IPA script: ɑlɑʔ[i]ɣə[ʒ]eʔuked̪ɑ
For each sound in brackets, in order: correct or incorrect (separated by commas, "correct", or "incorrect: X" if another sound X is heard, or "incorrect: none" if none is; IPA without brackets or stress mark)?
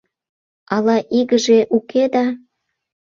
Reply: correct, correct